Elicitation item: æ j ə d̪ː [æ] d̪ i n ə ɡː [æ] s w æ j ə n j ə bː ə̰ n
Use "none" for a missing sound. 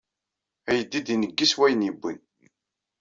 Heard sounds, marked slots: i, i

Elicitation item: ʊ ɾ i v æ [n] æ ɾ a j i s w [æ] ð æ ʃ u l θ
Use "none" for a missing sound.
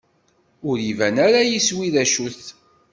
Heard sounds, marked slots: n, i

